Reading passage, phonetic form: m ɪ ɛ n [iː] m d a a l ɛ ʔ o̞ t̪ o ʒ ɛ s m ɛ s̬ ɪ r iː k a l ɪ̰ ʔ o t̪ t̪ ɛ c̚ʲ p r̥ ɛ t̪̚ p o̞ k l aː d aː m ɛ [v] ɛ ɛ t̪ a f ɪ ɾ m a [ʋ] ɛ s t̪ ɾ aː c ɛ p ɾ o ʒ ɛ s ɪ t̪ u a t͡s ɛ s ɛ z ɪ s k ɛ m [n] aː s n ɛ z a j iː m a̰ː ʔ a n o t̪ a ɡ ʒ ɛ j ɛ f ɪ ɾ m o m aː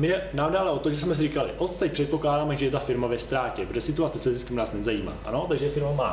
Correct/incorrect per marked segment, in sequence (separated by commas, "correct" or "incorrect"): incorrect, incorrect, incorrect, correct